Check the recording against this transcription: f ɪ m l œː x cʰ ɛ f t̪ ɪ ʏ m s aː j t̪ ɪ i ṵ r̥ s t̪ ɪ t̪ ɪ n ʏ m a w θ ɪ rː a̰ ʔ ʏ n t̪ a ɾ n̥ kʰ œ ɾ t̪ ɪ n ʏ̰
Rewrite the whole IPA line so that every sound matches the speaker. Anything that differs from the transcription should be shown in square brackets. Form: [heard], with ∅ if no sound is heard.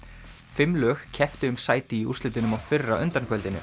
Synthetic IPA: f ɪ m l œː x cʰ ɛ f t̪ ɪ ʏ m s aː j t̪ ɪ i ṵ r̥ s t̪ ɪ t̪ ɪ n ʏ m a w [f] ɪ rː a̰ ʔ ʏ n t̪ a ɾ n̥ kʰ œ [l] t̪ ɪ n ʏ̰